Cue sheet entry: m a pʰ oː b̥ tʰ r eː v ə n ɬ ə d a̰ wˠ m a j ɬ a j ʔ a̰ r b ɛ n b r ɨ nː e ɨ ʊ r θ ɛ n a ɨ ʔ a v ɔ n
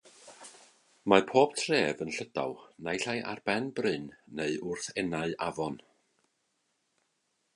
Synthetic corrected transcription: m a pʰ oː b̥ tʰ r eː v ə n ɬ ə d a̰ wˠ n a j ɬ a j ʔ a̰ r b ɛ n b r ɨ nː e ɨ ʊ r θ ɛ n a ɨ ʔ a v ɔ n